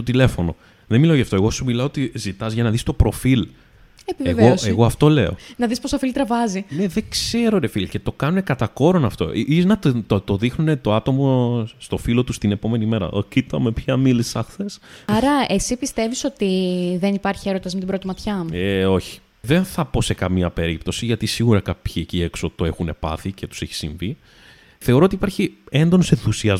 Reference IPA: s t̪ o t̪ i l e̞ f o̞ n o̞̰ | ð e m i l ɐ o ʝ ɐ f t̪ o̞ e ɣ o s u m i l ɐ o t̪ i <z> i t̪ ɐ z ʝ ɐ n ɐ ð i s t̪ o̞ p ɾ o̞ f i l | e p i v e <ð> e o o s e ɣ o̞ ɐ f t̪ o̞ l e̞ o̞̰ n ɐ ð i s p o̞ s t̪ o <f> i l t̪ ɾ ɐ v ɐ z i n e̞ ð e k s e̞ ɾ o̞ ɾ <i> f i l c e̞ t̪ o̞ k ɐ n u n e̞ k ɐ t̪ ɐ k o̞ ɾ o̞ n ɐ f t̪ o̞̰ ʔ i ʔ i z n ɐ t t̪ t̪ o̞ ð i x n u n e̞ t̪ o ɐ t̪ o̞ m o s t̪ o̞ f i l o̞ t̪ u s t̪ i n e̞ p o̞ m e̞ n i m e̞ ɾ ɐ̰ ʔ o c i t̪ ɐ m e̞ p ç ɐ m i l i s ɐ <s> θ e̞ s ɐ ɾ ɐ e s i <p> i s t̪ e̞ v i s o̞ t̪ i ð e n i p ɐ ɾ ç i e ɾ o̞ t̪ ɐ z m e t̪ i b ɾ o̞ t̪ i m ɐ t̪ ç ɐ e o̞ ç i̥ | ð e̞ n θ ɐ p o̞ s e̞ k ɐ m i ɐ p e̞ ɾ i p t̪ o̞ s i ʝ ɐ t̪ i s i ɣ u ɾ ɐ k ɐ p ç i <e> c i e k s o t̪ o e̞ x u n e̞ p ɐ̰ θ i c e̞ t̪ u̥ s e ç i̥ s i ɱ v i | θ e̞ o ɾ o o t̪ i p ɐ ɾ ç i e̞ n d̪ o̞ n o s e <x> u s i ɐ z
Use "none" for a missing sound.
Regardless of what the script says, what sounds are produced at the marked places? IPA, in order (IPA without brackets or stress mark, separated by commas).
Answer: z, v, f, e, x, p, e, θ